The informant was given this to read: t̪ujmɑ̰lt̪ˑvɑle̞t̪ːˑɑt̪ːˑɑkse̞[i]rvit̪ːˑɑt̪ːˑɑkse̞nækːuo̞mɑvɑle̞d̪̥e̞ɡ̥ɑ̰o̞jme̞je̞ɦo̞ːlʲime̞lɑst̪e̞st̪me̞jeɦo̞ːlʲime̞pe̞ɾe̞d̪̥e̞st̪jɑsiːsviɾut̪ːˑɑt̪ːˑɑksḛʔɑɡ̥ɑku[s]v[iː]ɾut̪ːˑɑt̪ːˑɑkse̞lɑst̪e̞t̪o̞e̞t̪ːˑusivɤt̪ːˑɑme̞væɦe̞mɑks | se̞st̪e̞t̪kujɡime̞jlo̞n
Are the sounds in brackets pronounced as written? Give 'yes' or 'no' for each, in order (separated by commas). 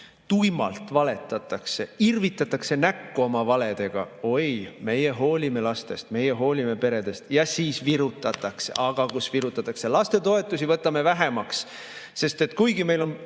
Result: yes, yes, no